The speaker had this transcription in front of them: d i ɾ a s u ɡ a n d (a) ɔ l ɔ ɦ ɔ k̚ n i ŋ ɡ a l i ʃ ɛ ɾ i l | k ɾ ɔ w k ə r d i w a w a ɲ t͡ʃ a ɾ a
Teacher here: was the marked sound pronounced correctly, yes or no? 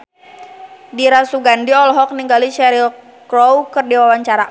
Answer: no